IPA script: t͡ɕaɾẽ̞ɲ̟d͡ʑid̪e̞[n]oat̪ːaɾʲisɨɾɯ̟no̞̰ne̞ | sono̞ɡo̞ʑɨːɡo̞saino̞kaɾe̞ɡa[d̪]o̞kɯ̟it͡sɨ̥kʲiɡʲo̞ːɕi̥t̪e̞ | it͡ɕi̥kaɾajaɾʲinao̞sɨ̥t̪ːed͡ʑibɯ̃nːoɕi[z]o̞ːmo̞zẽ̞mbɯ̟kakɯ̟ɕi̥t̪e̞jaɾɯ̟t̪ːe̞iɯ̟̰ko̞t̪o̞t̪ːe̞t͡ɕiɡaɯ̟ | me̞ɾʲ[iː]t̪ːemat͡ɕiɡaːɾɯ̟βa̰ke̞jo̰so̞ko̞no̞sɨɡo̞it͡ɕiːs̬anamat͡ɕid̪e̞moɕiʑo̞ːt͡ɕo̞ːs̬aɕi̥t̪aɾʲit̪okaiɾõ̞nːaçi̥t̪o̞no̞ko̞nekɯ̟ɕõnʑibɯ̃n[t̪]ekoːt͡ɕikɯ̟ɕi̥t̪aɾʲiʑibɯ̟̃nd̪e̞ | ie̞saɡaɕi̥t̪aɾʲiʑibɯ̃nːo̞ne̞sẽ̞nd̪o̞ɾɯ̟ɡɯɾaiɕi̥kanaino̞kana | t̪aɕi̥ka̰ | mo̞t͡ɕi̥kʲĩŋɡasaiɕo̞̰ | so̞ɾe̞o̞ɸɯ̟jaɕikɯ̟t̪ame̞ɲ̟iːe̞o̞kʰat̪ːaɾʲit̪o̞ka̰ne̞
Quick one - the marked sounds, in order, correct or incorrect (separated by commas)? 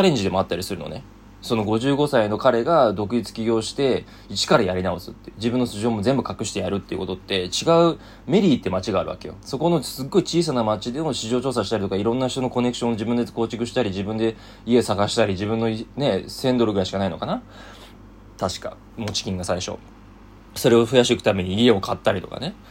incorrect, correct, incorrect, correct, incorrect